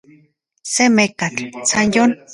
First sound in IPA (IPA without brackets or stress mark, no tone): s